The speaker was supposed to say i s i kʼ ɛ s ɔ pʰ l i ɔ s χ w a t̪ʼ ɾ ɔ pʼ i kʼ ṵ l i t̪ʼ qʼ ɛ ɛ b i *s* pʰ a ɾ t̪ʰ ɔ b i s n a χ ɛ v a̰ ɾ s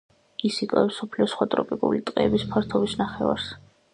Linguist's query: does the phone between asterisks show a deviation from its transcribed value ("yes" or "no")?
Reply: no